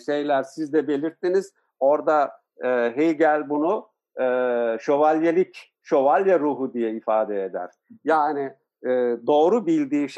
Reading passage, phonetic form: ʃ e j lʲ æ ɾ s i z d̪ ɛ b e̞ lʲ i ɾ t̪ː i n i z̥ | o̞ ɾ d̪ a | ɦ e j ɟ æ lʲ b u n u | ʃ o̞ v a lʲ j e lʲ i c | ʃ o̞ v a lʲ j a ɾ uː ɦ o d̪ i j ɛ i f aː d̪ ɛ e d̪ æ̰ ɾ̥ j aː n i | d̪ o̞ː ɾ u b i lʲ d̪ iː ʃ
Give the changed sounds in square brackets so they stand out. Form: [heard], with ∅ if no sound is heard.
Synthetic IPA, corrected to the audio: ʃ e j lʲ æ ɾ s i z d̪ ɛ b e̞ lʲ i ɾ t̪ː i n i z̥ | o̞ ɾ d̪ a | ɦ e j ɟ æ lʲ b u n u | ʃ o̞ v a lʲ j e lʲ i c | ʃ o̞ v a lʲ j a ɾ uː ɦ [u] d̪ i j ɛ i f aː d̪ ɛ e d̪ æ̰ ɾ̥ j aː n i | d̪ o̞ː ɾ u b i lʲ d̪ iː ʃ